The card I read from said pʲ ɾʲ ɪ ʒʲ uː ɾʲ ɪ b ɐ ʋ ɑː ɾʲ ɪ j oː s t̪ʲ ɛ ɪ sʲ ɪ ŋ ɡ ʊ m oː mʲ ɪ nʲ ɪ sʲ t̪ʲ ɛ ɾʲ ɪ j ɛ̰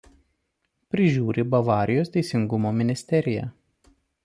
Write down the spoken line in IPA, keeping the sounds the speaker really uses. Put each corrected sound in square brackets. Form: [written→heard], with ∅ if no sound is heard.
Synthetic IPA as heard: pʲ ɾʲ ɪ ʒʲ uː ɾʲ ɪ b ɐ ʋ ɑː ɾʲ ɪ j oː s t̪ʲ ɛ ɪ sʲ ɪ ŋ ɡ ʊ m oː mʲ ɪ nʲ ɪ sʲ t̪ʲ ɛ ɾʲ ɪ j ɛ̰